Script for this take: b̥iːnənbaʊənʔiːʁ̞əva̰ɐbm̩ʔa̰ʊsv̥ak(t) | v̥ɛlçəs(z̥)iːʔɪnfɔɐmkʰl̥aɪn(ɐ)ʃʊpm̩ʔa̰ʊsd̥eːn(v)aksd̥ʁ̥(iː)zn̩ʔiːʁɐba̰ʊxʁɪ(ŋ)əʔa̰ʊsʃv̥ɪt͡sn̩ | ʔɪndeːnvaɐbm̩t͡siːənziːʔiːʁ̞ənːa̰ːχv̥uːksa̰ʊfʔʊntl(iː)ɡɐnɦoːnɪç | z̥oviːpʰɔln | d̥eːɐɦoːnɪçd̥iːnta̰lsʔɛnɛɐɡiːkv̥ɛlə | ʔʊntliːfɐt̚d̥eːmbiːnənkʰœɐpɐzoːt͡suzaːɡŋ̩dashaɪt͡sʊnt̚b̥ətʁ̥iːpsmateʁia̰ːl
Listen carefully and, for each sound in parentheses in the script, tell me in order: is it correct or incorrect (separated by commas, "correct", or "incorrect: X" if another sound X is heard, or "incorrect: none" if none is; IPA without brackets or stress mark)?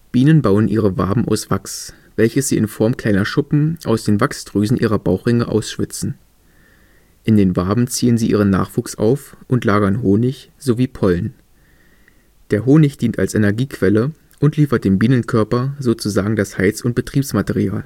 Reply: incorrect: s, correct, correct, correct, incorrect: yː, correct, incorrect: aː